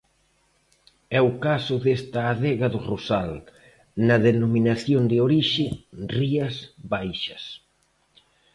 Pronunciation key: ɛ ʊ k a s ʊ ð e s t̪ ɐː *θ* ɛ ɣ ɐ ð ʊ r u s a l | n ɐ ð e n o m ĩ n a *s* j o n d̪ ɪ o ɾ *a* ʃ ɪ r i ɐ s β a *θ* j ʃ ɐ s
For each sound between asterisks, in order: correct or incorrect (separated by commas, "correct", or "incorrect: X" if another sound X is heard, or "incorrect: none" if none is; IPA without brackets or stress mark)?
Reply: incorrect: ð, incorrect: θ, incorrect: i, incorrect: none